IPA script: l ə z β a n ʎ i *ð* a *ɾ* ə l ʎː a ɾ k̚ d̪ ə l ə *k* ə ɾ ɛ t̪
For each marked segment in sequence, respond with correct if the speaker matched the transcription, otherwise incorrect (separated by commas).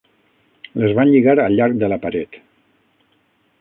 incorrect, correct, incorrect